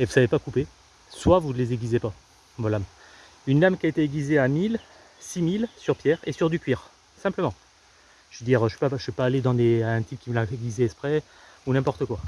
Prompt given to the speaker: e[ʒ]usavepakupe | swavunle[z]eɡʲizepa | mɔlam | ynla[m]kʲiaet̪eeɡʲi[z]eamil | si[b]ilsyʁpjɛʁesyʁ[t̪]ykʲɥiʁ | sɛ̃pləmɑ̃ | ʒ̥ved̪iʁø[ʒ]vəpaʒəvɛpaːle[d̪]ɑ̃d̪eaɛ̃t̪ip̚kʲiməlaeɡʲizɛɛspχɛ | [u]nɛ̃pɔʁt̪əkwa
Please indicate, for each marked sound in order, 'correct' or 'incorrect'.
incorrect, correct, correct, correct, incorrect, incorrect, correct, correct, correct

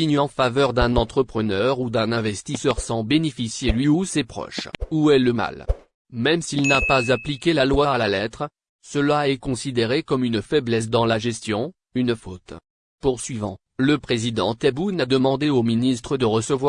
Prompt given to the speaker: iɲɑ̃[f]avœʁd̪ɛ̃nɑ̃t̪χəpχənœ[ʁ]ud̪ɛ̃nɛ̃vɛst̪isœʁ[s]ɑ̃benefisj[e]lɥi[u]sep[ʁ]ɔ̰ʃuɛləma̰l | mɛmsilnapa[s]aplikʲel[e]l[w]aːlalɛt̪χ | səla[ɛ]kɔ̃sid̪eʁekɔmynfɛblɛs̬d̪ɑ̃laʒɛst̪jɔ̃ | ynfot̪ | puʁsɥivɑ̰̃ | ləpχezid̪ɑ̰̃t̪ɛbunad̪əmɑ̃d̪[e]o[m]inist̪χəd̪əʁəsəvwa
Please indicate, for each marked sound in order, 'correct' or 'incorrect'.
correct, correct, correct, correct, correct, incorrect, incorrect, incorrect, correct, correct, correct, correct

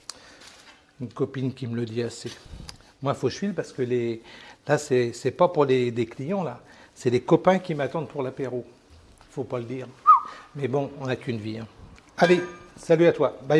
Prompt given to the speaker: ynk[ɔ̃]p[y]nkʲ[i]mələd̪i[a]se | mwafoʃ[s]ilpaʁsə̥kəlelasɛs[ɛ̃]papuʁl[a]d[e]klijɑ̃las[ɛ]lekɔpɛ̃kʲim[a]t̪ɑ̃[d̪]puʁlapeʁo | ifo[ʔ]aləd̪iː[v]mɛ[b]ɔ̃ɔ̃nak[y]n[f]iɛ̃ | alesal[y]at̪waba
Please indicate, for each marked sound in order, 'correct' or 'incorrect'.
incorrect, incorrect, correct, correct, incorrect, incorrect, incorrect, correct, correct, correct, correct, incorrect, incorrect, correct, correct, incorrect, correct

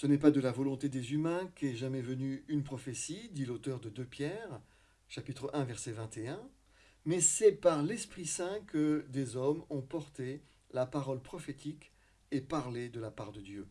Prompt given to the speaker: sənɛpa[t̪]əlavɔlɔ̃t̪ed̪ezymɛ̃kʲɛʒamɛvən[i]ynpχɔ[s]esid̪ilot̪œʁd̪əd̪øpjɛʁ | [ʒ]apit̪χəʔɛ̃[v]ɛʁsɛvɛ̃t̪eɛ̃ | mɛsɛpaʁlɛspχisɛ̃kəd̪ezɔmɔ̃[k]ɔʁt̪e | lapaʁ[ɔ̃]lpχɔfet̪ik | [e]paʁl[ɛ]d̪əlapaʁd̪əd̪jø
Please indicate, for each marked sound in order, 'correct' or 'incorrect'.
incorrect, incorrect, incorrect, incorrect, correct, incorrect, incorrect, correct, incorrect

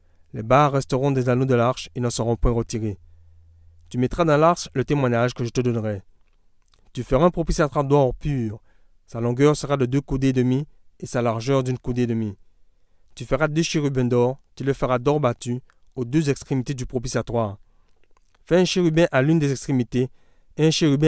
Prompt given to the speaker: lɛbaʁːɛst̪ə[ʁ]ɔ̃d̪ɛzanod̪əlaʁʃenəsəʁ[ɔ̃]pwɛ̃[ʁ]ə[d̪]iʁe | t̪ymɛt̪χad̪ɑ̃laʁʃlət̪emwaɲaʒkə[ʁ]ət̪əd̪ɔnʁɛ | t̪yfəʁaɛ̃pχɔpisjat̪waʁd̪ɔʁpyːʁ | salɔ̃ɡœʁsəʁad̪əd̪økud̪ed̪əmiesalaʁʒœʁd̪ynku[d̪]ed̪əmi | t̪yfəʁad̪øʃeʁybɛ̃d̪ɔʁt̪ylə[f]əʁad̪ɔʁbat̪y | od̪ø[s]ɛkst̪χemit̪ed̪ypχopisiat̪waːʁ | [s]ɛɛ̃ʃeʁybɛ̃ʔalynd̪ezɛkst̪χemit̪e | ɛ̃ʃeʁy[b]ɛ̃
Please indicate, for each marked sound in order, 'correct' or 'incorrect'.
correct, correct, correct, incorrect, incorrect, correct, correct, incorrect, incorrect, correct

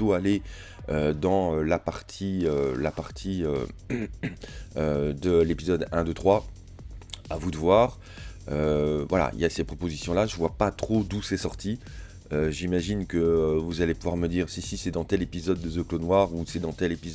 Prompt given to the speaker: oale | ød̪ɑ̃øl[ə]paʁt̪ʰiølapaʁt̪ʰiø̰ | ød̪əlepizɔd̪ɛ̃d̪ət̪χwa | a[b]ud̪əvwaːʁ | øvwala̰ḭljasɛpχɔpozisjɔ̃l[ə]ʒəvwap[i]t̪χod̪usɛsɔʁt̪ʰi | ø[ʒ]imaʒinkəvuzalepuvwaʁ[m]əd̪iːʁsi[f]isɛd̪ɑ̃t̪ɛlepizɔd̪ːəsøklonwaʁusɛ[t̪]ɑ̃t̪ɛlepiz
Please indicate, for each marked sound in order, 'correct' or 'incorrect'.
incorrect, incorrect, incorrect, incorrect, correct, correct, incorrect, incorrect

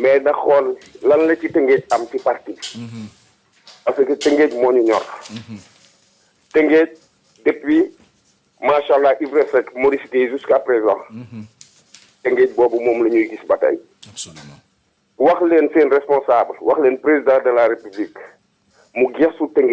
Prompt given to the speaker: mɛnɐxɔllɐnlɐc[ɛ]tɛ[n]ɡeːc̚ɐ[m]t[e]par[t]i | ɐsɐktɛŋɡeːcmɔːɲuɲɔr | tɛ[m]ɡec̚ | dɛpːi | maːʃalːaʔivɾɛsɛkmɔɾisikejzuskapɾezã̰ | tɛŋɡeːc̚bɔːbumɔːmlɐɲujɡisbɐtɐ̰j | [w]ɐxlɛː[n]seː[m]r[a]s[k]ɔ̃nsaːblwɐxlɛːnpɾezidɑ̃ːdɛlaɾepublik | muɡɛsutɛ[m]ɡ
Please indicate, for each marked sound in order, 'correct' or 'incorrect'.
incorrect, incorrect, correct, incorrect, correct, incorrect, correct, correct, incorrect, incorrect, incorrect, incorrect

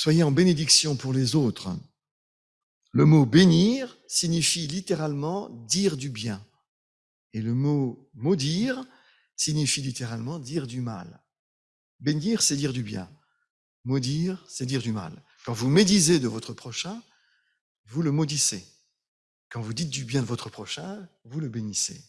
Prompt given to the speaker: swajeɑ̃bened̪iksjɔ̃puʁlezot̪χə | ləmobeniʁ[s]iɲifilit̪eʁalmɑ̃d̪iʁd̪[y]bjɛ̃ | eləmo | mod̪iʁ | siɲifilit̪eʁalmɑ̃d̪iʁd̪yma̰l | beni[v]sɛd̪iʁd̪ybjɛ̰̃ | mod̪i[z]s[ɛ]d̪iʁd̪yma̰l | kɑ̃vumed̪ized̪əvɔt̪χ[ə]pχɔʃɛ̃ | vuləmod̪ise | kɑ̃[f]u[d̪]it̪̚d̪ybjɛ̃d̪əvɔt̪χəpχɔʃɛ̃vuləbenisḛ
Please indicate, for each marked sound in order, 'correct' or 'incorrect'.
correct, correct, incorrect, incorrect, correct, correct, incorrect, correct

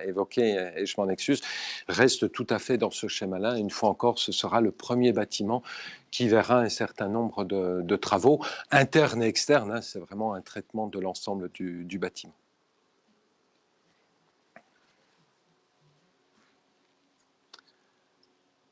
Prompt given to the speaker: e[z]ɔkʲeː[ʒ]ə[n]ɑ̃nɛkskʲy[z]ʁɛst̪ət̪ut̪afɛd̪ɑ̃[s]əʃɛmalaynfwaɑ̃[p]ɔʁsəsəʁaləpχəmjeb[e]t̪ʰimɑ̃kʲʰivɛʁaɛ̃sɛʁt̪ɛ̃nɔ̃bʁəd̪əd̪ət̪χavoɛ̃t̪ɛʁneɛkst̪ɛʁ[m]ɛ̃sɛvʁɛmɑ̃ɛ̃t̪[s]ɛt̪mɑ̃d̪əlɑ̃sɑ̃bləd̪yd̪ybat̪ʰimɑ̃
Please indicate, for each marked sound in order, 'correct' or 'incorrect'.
incorrect, correct, incorrect, correct, correct, incorrect, incorrect, incorrect, incorrect

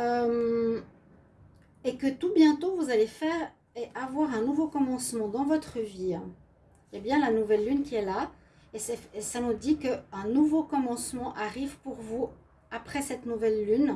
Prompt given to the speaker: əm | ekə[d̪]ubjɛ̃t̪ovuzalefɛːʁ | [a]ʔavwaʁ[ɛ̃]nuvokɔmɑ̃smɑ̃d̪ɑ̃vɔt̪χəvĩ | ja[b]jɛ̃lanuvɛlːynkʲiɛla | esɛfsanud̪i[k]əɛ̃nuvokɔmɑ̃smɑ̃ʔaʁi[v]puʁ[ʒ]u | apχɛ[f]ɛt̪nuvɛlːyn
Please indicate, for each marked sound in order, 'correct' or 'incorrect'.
incorrect, incorrect, correct, correct, correct, correct, incorrect, incorrect

